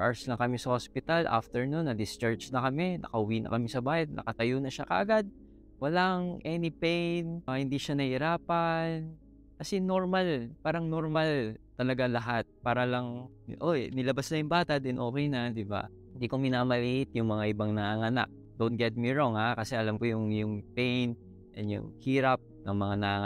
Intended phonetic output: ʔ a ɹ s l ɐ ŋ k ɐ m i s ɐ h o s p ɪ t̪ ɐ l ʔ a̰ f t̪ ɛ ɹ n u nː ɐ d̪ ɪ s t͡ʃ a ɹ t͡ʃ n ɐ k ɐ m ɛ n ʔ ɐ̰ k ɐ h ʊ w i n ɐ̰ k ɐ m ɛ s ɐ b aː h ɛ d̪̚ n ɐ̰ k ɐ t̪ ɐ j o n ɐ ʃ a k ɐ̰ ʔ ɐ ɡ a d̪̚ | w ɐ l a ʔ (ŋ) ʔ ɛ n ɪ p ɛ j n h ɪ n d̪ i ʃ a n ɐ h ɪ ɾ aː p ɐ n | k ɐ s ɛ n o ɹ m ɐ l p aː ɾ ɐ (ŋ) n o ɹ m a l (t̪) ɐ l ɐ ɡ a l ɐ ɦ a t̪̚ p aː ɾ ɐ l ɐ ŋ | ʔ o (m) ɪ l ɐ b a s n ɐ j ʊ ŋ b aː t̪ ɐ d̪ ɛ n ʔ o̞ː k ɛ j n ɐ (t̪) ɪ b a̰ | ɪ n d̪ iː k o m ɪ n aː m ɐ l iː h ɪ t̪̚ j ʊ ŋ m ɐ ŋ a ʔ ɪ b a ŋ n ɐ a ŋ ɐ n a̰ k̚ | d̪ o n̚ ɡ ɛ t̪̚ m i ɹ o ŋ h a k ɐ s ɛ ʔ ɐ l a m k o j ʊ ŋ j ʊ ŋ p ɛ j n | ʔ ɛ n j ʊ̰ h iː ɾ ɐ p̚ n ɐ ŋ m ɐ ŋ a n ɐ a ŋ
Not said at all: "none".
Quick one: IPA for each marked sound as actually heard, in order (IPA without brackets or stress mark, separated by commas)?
ŋ, ŋ, t̪, n, d̪